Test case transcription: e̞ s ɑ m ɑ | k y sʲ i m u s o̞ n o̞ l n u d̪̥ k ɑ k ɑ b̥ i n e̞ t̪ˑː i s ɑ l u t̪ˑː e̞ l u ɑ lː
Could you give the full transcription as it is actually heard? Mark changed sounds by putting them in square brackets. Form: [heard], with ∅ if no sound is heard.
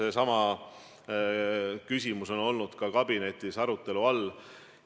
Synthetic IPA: e̞ s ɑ m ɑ | k y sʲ i m u s o̞ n o̞ l n u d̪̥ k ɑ k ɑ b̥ i n e̞ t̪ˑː i s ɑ [ɾ] u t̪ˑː e̞ l u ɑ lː